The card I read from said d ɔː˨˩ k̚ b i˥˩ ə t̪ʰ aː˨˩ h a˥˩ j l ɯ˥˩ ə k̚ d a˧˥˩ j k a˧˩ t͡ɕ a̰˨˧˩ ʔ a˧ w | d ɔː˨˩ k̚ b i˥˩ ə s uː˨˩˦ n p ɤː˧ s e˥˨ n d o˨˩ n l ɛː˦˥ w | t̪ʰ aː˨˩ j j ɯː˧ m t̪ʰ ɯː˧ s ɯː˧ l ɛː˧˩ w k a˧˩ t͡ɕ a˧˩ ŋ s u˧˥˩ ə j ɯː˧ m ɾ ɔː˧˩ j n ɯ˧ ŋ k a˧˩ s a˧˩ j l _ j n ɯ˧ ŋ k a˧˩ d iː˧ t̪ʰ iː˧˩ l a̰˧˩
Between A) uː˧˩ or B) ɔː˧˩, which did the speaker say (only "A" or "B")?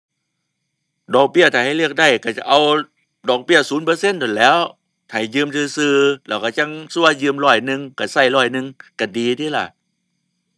B